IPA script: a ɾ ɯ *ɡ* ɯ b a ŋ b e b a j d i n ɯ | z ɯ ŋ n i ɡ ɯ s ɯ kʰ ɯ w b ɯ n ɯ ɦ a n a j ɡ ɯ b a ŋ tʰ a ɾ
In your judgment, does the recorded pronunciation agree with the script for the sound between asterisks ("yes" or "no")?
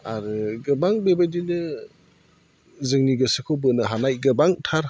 yes